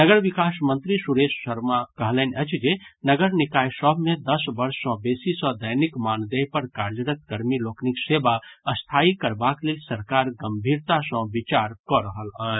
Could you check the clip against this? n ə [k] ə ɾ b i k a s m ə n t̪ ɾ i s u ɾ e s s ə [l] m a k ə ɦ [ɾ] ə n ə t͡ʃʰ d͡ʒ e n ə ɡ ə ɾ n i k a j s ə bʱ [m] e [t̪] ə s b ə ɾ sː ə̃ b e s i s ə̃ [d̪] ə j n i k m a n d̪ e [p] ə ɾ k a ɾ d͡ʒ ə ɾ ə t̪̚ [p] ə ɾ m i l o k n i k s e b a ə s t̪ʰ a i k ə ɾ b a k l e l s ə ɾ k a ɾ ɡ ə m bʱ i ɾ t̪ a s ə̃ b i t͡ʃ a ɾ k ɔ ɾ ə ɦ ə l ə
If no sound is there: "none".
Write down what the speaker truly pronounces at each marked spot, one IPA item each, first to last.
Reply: ɡ, ɾ, l, m, d̪, d̪, p, k

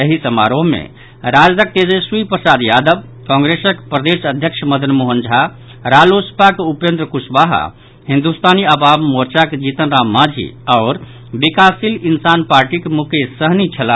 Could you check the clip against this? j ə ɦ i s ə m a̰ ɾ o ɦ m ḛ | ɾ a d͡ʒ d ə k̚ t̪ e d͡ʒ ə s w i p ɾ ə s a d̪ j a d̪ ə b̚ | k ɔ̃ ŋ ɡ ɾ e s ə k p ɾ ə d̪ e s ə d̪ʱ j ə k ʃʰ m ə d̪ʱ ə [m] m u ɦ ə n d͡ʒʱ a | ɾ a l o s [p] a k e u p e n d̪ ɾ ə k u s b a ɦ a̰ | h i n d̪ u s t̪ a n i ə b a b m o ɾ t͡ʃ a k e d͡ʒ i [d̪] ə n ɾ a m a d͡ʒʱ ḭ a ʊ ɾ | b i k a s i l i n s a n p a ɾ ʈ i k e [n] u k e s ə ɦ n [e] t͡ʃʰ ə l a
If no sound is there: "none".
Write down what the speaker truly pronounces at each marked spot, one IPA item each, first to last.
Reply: n, p, t̪, m, i

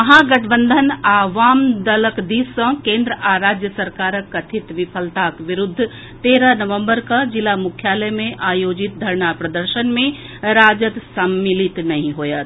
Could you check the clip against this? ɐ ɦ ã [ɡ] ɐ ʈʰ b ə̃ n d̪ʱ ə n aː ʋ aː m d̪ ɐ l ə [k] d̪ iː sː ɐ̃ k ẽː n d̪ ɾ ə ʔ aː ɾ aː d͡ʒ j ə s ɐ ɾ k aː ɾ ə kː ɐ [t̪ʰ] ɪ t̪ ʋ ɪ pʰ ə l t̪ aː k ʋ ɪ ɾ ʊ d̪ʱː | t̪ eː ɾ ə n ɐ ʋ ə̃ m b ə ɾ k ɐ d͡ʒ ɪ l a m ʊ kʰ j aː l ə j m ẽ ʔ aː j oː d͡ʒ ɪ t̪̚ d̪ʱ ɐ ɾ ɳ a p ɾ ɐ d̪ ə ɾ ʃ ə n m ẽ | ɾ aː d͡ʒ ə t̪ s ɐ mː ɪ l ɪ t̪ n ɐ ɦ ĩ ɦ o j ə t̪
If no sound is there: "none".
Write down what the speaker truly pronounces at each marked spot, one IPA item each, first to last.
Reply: ɡ, k, t̪ʰ

